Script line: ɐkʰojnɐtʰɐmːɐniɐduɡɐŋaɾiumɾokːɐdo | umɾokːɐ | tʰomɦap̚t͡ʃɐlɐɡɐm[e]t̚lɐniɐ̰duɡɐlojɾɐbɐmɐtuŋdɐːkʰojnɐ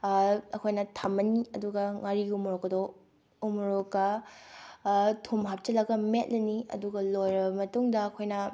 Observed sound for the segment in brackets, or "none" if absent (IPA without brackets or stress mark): e